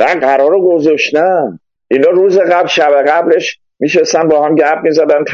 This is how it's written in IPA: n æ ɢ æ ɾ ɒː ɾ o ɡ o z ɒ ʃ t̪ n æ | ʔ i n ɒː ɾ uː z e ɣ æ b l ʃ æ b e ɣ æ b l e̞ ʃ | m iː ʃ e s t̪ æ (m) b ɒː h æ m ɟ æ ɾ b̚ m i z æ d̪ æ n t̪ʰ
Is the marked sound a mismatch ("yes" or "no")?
yes